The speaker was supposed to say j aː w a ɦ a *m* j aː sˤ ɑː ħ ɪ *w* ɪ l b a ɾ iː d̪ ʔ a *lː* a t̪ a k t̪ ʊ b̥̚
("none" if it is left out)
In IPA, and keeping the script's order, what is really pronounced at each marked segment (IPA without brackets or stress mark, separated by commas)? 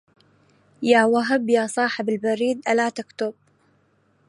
b, b, l